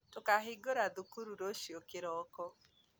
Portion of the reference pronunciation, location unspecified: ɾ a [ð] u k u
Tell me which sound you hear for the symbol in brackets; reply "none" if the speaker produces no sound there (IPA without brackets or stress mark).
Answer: ð